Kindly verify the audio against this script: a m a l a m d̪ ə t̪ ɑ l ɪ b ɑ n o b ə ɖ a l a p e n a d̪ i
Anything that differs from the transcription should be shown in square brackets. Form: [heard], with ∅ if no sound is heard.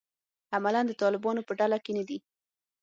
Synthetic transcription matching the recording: a m a l a [n] d̪ ə t̪ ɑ l ɪ b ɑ n o [p] ə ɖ a l a [k] e n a d̪ i